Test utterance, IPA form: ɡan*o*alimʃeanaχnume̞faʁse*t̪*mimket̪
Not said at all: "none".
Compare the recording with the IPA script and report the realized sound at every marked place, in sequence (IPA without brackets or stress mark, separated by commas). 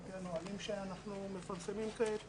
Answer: o, none